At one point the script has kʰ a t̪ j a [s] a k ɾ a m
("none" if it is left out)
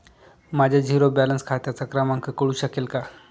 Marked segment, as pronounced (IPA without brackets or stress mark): t͡s